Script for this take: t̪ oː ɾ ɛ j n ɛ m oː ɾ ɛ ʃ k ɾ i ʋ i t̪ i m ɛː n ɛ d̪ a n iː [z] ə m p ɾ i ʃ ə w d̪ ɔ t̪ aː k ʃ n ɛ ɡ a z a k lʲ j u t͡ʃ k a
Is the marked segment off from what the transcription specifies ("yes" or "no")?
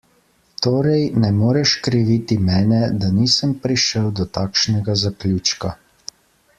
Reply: yes